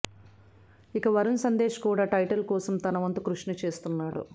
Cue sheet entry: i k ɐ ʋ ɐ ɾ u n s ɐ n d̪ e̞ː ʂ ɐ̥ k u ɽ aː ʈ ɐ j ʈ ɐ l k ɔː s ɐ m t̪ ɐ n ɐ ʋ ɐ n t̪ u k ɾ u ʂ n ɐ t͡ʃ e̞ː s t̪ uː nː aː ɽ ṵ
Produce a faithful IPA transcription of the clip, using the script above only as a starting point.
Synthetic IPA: i k ɐ ʋ ɐ ɾ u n s ɐ n d̪ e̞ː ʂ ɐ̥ k uː ɽ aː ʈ ɐ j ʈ ɐ l k ɔː s ɐ m t̪ ɐ n ɐ ʋ ɐ n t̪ u k ɾ u ʂ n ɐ t͡ʃ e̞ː s t̪ u nː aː ɽ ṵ